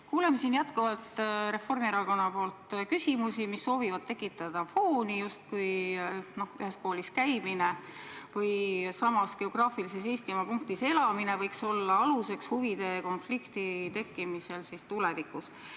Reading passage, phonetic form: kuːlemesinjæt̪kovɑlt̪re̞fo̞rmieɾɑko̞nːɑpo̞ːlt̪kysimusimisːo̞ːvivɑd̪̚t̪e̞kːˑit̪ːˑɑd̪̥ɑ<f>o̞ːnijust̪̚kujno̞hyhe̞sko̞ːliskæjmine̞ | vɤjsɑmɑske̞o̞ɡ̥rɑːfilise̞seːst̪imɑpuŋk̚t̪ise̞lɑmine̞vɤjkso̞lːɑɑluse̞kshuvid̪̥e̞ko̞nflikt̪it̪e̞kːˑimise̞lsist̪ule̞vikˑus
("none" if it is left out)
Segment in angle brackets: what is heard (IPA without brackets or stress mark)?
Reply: f